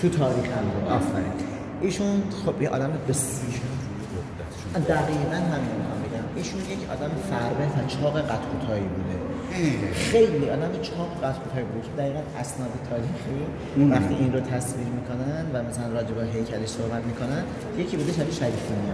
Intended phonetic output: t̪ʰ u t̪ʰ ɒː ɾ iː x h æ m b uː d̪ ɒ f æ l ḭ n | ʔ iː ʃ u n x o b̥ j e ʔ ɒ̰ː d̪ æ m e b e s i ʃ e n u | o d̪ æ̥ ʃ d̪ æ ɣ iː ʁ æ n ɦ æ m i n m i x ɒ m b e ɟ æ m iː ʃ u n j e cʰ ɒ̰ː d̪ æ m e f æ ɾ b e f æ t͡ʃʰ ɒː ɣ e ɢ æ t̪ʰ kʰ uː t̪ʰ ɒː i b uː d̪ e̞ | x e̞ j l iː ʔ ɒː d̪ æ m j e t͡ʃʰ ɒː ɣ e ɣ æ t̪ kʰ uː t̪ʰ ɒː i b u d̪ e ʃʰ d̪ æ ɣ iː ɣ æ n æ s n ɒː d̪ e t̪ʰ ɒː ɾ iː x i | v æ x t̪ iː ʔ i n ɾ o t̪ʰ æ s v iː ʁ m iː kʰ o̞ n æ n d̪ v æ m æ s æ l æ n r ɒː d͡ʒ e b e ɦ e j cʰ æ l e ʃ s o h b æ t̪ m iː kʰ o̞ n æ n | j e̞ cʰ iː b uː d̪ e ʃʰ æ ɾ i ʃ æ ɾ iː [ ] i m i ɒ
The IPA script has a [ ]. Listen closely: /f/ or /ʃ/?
f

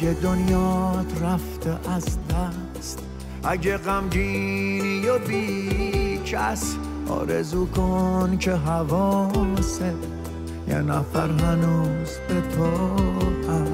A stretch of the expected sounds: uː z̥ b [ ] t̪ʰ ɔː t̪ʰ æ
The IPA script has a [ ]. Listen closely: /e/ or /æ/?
e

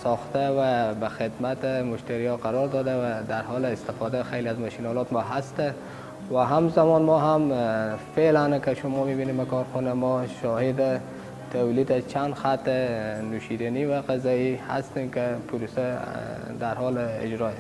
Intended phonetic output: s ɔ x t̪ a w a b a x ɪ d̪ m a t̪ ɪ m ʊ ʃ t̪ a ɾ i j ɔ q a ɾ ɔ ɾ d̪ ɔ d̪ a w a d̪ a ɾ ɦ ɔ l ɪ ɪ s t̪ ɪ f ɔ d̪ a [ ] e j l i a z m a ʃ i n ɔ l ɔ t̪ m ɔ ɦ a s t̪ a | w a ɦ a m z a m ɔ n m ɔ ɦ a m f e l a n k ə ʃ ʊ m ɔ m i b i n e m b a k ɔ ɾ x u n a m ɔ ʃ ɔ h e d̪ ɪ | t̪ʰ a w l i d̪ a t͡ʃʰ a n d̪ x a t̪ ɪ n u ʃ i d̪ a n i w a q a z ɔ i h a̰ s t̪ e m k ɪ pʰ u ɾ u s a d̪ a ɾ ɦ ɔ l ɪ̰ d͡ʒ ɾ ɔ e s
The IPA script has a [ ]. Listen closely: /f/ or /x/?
x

